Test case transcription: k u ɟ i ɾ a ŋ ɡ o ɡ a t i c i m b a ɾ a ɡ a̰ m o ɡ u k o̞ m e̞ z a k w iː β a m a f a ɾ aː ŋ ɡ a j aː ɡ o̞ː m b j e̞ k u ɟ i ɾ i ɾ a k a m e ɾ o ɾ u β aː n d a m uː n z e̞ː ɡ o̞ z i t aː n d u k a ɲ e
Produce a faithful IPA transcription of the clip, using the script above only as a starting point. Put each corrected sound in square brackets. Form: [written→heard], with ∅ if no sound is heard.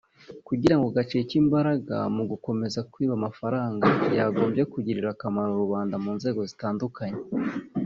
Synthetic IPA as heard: k u ɟ i ɾ a ŋ ɡ o ɡ a [t→t͡ʃ] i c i m b a ɾ a ɡ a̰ m [o→u] ɡ u k o̞ m e̞ z a k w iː β a m a f a ɾ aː ŋ ɡ a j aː ɡ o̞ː m b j e̞ k u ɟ i ɾ i ɾ a k a m [e→a] ɾ o ɾ u β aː n d a m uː n z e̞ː ɡ o̞ z i t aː n d u k a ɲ e

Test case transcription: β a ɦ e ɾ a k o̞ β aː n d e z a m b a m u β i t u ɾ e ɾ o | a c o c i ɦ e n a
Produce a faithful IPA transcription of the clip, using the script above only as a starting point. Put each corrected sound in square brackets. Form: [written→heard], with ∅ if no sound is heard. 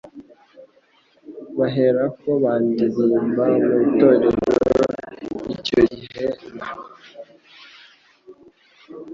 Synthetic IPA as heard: β a ɦ e ɾ a k o̞ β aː n d [e→i] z [a→i] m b a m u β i t [u→o] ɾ e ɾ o | [a→i] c o [c→ɟ] i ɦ e n a

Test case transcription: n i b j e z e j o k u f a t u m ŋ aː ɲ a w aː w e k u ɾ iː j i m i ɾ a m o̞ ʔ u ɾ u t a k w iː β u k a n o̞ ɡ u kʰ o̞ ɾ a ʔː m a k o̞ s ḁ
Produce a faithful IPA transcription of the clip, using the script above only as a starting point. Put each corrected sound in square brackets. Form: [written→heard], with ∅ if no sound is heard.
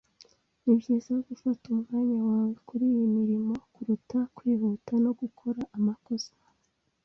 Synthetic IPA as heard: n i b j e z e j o [k→ɡ] u f a t u m ŋ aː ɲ a w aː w e k u ɾ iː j i m i ɾ [a→i] m o̞ [ʔ→k] u ɾ u t a k w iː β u [k→t] a n o̞ ɡ u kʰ o̞ ɾ a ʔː m a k o̞ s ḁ

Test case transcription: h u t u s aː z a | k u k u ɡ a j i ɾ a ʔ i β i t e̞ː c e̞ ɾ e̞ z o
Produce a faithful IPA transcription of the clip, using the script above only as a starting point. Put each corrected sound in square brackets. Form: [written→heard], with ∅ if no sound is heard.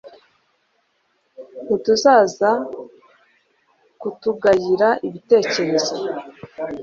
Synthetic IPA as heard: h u t u [s→z] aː z a | k u [k→t] u ɡ a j i ɾ a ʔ i β i t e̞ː c e̞ ɾ e̞ z o

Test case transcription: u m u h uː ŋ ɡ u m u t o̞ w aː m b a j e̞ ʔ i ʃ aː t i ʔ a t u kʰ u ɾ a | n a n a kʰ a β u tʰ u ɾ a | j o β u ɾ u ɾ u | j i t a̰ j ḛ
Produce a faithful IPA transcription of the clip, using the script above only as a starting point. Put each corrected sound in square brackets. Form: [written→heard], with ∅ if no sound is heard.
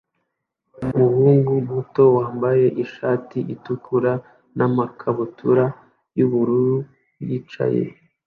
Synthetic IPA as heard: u m u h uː ŋ ɡ u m u t o̞ w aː m b a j e̞ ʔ i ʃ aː t i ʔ [a→i] t u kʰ u ɾ a | n a [n→m] a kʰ a β u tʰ u ɾ a | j [o→u] β u ɾ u ɾ u | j i [t→t͡ʃ] a̰ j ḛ

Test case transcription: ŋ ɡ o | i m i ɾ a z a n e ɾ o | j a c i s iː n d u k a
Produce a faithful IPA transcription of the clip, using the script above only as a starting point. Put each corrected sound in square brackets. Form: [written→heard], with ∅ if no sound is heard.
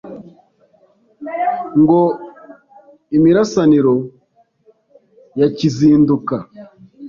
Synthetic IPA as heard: ŋ ɡ o | i m i ɾ a [z→s] a n [e→i] ɾ o | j a c i [s→z] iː n d u k a

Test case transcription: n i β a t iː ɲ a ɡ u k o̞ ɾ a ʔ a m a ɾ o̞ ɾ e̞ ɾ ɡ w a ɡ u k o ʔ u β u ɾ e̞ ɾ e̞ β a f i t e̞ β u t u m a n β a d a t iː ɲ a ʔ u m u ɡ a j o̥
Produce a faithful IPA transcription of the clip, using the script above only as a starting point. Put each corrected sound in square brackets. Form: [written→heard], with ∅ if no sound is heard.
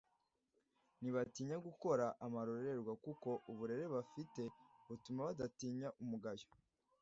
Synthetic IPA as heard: n i β a t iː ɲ a ɡ u k o̞ ɾ a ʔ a m a ɾ o̞ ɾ e̞ ɾ ɡ w a [ɡ→k] u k o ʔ u β u ɾ e̞ ɾ e̞ β a f i t e̞ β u t u m a [n→∅] β a d a t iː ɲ a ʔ u m u ɡ a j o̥

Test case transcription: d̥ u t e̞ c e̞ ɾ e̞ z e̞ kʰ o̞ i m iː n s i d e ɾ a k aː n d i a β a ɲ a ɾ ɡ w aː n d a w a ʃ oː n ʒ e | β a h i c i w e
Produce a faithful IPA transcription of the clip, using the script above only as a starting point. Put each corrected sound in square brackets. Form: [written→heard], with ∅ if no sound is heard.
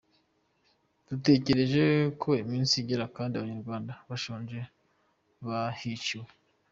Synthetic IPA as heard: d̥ u t e̞ c e̞ ɾ e̞ [z→ʒ] e̞ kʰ o̞ i m iː n s i [d→ɟ] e ɾ a k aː n d i a β a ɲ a ɾ ɡ w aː n d a [w→β] a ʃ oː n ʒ e | β a h i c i w e

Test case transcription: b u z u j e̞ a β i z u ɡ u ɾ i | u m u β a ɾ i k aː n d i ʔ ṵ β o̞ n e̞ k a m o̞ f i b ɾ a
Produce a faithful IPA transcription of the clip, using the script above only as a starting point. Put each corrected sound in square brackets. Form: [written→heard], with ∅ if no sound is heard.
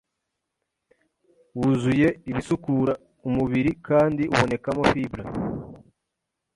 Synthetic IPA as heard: [b→w] u z u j e̞ [a→i] β i [z→s] u [ɡ→k] u ɾ [i→a] | u m u β [a→i] ɾ i k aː n d i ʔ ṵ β o̞ n e̞ k a m o̞ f i b ɾ a

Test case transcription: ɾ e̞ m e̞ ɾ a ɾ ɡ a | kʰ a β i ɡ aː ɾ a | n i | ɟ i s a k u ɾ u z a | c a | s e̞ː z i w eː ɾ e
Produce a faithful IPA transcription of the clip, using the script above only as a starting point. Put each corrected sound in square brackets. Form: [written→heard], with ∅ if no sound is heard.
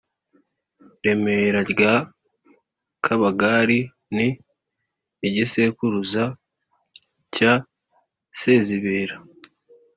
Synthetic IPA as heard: ɾ e̞ m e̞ ɾ a ɾ ɡ a | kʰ a β [i→a] ɡ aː ɾ [a→i] | n i | ɟ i s [a→e] k u ɾ u z a | c a | s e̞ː z i [w→β] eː ɾ [e→a]

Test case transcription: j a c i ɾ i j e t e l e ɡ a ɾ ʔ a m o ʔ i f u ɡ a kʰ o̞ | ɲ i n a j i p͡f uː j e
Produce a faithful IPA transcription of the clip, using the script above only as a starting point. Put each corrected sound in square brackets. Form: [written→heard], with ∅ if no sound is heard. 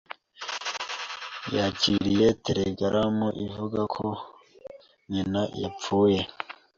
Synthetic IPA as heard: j a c i ɾ i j e t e [l→ɾ] e ɡ a ɾ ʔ a m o ʔ i [f→v] u ɡ a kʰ o̞ | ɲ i n a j [i→a] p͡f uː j e

